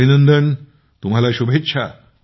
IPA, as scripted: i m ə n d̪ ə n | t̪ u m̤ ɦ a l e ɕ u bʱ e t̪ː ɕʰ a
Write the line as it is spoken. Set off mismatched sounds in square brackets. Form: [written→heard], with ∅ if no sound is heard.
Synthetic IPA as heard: i [m→n] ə n d̪ ə n | t̪ u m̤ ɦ a l [e→a] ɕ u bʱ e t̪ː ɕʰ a